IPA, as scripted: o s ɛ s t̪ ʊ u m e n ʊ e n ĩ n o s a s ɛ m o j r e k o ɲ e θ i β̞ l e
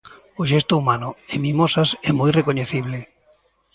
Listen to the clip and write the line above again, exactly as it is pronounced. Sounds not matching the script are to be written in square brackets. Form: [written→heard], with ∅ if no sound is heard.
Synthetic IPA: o [s→ʃ] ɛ s t̪ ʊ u m [e→a] n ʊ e [n→m] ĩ [n→m] o s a s ɛ m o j r e k o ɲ e θ i β̞ l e